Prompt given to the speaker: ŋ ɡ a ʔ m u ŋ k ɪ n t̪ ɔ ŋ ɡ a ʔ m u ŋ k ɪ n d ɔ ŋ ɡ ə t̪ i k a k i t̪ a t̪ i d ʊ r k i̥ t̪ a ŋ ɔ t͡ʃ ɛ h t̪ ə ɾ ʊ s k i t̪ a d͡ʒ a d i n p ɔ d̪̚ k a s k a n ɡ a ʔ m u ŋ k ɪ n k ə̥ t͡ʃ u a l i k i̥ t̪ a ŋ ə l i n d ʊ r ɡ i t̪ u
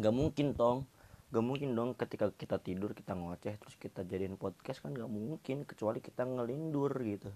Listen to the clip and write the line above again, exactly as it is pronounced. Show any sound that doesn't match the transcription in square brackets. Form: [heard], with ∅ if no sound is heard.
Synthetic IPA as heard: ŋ ɡ a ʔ m u ŋ k ɪ n t̪ ɔ ŋ ɡ a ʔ m u ŋ k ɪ n d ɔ ŋ [k] ə t̪ i k a k i t̪ a t̪ i d ʊ r k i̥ t̪ a ŋ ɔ t͡ʃ ɛ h t̪ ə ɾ ʊ s k i t̪ a d͡ʒ a d i n p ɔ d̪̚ k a s k a n ɡ a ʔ m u ŋ k ɪ n k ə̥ t͡ʃ u a l i k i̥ t̪ a ŋ ə l i n d ʊ r ɡ i t̪ u